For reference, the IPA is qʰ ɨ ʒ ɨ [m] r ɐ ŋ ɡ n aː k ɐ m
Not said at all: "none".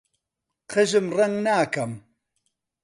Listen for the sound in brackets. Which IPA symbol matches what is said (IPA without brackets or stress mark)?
m